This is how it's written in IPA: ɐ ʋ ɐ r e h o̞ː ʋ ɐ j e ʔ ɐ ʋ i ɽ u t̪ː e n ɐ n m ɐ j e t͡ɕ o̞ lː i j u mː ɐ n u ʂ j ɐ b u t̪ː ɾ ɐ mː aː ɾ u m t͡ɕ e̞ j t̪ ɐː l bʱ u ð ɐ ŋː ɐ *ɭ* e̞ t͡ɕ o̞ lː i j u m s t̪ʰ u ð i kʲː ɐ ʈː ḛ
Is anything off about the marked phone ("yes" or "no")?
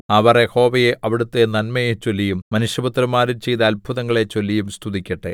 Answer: no